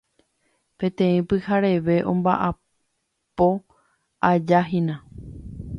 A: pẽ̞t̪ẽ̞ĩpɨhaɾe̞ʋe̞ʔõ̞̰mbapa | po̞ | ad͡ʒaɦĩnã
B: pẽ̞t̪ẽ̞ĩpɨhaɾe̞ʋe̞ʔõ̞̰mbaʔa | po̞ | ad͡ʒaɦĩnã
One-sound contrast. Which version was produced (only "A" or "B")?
B